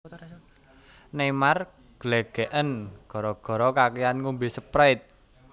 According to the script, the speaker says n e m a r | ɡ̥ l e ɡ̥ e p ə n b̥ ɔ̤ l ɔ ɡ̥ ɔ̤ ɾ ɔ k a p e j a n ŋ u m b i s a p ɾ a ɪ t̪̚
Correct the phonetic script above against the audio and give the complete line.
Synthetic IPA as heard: n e m a r | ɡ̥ l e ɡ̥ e ʔ ə n ɡ̥ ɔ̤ ɾ ɔ ɡ̥ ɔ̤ ɾ ɔ k a k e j a n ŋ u m b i s ə p ɾ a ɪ t̪̚